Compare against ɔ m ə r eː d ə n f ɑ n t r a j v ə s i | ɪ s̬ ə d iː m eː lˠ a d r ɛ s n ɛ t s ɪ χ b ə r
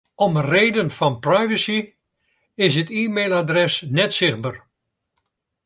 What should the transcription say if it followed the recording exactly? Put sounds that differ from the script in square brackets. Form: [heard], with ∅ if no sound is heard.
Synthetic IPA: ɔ m ə r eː d ə n f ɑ n [p] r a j v ə s i | ɪ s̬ ə [t] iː m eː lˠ a d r ɛ s n ɛ t s ɪ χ b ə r